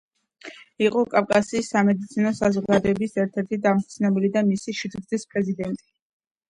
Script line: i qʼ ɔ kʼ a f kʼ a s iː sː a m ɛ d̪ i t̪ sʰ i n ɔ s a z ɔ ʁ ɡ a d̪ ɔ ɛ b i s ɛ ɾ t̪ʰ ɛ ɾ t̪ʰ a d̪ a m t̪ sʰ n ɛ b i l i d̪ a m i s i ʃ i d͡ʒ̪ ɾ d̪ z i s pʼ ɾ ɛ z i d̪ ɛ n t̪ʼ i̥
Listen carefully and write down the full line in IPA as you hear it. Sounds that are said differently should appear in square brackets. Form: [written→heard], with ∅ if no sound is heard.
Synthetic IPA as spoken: i qʼ ɔ kʼ a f kʼ a s iː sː a m ɛ d̪ i t̪ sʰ i n ɔ s a z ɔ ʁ ɡ a d̪ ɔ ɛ b i s ɛ ɾ t̪ʰ ɛ ɾ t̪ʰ [a→i] d̪ a m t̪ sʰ n ɛ b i l i d̪ a m i s i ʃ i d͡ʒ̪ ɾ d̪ z i s pʼ ɾ ɛ z i d̪ ɛ n t̪ʼ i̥